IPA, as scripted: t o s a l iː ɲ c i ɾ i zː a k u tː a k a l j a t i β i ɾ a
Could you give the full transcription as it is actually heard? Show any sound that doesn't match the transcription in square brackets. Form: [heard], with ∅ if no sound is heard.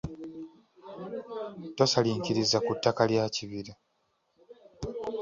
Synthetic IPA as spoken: t o s a l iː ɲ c i ɾ i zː a k u tː a k a l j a [c] i β i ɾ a